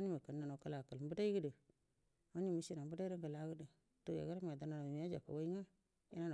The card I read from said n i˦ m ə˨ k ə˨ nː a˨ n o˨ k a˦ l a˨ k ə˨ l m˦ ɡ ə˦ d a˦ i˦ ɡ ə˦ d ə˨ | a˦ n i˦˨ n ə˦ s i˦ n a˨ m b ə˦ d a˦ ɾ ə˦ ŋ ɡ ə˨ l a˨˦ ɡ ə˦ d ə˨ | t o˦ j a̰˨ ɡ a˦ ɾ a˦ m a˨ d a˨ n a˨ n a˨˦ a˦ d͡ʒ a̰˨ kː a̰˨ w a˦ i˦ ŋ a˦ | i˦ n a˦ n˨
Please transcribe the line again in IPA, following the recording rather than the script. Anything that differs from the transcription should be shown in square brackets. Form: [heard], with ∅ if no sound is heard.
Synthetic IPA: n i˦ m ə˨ k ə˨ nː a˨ n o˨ k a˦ l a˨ k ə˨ l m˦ [b] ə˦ d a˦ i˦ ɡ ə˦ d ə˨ | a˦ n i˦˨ [m] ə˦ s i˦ n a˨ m b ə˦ d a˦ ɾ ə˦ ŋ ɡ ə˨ l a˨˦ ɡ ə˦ d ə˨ | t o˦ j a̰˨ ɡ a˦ ɾ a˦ m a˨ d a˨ n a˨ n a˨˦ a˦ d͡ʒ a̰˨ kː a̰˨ w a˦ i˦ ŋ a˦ | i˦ n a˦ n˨